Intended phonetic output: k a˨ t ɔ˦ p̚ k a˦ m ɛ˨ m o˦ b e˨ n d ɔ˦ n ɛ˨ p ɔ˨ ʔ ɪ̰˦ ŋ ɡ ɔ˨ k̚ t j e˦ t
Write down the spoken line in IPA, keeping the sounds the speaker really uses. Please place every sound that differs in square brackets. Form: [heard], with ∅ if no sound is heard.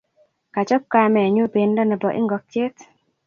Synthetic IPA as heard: k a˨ [t͡ʃ] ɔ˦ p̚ k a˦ m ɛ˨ [ɲ] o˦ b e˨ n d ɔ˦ n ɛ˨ [b] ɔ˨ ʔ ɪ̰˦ ŋ ɡ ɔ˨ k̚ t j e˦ t